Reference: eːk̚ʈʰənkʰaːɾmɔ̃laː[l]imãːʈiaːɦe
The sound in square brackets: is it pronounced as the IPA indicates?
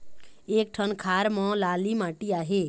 yes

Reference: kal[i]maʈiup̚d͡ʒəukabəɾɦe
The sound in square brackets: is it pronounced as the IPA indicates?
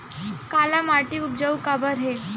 no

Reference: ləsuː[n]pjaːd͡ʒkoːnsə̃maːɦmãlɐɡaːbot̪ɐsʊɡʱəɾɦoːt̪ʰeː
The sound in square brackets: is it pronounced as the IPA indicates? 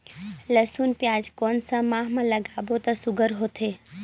yes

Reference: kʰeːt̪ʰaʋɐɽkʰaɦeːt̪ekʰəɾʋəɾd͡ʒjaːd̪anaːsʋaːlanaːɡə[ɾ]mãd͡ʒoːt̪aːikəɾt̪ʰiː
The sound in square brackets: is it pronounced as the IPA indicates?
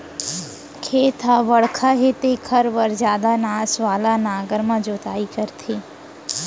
yes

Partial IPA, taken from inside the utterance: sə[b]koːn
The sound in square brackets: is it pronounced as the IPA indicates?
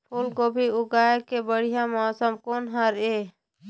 no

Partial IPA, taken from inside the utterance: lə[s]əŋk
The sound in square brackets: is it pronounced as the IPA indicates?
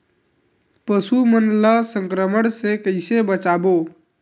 yes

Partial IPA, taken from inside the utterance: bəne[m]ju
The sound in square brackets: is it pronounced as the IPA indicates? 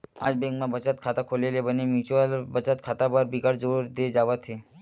yes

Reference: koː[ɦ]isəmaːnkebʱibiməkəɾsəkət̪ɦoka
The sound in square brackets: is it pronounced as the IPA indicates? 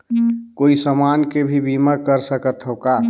no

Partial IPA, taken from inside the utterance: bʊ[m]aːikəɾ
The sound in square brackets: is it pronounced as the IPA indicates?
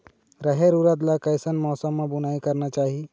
no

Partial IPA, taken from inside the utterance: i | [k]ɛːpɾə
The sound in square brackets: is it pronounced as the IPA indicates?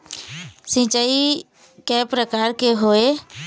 yes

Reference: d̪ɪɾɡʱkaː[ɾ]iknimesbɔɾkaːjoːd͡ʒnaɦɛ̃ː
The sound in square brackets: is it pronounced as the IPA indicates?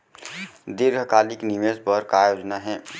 no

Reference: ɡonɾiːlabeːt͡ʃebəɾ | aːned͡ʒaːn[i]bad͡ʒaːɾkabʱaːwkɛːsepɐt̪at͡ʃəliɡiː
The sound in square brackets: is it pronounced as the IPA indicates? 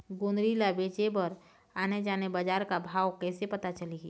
no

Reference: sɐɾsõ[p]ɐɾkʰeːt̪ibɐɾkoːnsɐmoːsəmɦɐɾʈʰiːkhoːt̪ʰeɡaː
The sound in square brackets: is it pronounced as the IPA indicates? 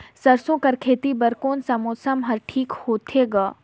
no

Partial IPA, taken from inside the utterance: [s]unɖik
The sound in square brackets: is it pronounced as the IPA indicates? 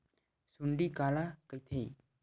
yes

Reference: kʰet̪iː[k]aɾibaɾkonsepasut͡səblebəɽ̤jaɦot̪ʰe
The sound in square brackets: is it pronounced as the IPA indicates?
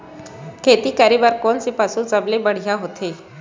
yes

